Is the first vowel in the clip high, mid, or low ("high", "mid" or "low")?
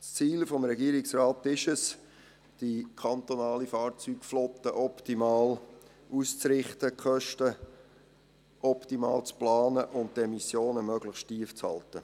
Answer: high